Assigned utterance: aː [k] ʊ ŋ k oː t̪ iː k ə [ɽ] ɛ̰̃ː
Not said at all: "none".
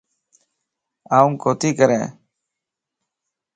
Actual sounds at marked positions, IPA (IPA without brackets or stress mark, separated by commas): none, ɾ